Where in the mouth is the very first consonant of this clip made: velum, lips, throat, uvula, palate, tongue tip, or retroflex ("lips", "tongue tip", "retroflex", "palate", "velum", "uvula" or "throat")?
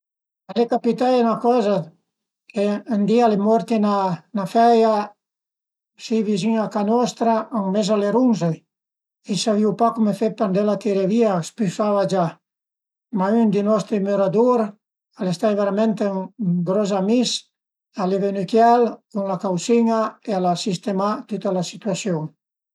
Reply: tongue tip